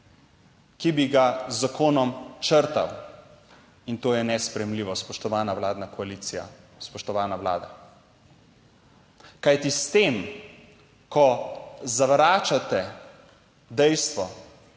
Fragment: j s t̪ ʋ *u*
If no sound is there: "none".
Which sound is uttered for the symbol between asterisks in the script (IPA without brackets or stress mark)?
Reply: ɔ